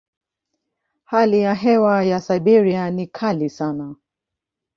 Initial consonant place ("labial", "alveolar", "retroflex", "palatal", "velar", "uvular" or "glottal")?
glottal